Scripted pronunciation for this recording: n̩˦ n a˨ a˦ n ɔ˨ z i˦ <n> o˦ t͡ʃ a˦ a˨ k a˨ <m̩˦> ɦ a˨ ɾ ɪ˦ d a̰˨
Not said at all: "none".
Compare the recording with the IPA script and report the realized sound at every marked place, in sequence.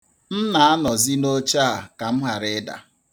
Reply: n, m̩˦

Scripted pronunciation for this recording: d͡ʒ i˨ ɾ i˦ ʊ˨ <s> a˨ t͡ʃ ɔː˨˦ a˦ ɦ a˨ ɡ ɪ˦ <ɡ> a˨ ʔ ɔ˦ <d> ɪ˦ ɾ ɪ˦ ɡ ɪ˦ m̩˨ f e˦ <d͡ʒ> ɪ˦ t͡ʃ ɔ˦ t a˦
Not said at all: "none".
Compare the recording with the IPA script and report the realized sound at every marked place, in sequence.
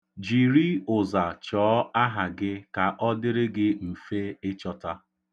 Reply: z, k, d, none

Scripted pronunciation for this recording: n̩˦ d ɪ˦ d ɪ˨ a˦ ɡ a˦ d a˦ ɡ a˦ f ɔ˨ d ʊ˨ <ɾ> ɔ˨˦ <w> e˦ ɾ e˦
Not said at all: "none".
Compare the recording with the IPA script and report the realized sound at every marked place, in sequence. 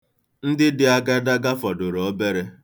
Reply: ɾ, b

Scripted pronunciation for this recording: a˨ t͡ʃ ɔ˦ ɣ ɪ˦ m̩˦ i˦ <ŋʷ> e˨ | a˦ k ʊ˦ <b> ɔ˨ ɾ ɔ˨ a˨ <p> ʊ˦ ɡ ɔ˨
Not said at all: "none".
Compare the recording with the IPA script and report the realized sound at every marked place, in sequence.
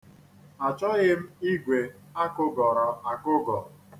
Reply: ɡʷ, ɡ, k

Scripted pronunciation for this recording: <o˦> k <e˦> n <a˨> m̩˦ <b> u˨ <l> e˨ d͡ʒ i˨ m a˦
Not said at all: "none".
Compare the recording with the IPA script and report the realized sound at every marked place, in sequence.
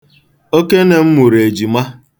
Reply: o˦, e˦, e˨, m, ɾ

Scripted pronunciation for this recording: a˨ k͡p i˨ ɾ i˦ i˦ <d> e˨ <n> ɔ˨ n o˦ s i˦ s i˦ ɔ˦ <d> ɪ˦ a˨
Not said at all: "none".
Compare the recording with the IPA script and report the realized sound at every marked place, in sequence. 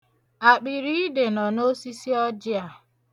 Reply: d, n, d͡ʒ

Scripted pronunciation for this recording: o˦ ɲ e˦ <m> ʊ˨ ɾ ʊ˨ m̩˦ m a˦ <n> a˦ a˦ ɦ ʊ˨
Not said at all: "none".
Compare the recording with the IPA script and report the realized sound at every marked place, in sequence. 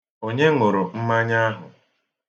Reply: ŋ, ɲ

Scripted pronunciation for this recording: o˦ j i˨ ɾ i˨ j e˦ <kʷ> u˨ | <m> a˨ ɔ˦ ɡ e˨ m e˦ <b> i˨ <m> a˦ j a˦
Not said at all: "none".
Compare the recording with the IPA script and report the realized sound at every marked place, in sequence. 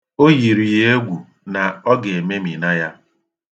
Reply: ɡʷ, n, m, n

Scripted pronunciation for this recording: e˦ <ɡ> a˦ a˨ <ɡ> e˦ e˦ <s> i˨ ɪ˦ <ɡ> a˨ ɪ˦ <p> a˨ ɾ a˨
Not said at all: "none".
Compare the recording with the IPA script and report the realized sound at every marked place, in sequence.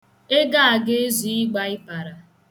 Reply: ɡ, ɡ, z, ɡ͡b, p

